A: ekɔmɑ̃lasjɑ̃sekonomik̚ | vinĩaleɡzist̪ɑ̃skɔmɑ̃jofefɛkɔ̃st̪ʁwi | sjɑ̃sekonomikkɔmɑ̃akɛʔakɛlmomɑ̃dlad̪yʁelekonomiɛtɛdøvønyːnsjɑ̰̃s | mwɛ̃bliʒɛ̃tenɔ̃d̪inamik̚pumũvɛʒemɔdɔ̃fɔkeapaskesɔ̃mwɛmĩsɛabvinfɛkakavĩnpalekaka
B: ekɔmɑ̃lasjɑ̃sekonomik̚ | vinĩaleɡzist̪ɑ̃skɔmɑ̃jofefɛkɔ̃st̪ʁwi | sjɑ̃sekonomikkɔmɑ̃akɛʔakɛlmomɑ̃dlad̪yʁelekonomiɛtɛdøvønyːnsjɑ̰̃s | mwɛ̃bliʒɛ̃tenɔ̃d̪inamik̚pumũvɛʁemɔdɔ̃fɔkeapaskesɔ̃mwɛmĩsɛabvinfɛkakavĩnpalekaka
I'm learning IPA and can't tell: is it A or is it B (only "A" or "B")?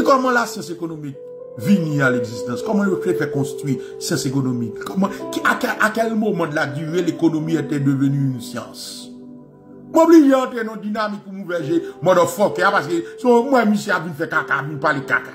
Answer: A